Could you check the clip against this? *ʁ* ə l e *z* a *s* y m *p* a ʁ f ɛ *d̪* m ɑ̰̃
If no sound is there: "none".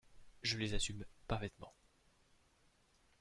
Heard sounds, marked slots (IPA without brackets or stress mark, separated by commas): ʒ, z, s, p, t̪